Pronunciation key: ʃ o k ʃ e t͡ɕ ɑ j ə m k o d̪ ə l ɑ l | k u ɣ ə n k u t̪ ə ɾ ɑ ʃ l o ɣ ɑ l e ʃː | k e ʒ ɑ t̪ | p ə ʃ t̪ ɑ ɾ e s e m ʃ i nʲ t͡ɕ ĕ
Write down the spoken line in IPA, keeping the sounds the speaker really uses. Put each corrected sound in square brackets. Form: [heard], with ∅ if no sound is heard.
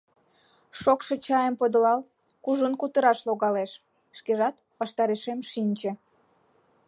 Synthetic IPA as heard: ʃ o k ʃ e t͡ɕ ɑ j ə m [p] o d̪ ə l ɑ l | k u [ʒ] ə n k u t̪ ə ɾ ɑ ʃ l o ɣ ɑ l e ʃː | k e ʒ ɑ t̪ | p [ɑ] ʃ t̪ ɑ ɾ e [ʃ] e m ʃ i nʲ t͡ɕ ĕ